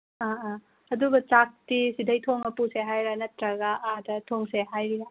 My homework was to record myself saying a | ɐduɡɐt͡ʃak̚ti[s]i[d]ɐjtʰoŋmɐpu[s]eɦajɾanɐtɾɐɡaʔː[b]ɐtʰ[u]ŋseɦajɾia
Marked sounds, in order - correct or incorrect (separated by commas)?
correct, correct, correct, incorrect, incorrect